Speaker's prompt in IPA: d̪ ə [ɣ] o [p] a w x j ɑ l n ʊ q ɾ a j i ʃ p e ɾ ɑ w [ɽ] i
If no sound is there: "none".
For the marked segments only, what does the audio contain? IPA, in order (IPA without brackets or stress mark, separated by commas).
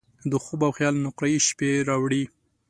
x, b, ɽ